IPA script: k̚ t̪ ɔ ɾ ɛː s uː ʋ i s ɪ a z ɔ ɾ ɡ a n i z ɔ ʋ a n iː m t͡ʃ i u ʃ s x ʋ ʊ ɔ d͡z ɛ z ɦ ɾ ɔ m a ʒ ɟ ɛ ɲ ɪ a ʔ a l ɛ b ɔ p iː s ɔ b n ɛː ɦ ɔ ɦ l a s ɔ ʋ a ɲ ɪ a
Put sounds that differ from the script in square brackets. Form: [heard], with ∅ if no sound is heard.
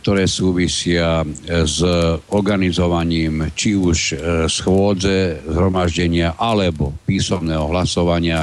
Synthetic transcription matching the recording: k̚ t̪ ɔ ɾ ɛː s uː ʋ i s ɪ a z ɔ ɾ ɡ a n i z ɔ ʋ a [ɲ] iː m t͡ʃ i u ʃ s x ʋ ʊ ɔ d͡z ɛ z ɦ ɾ ɔ m a ʒ ɟ ɛ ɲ ɪ a ʔ a l ɛ b ɔ p iː s ɔ [m] n ɛː ɦ ɔ ɦ l a s ɔ ʋ a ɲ ɪ a